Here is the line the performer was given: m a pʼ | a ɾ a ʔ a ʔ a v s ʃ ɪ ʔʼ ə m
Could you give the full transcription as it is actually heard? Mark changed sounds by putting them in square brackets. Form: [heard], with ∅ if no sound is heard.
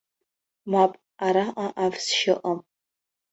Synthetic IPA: m a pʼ | a ɾ a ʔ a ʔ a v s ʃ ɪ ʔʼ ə m